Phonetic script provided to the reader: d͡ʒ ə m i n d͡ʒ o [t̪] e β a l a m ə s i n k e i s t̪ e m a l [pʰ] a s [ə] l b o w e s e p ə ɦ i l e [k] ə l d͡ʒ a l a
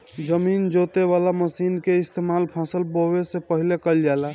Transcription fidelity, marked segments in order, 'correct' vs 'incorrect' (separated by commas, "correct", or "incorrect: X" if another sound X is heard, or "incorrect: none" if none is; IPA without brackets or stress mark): correct, correct, correct, correct